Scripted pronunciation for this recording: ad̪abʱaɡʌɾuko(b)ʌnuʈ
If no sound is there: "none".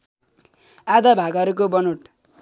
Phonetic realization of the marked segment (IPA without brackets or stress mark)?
b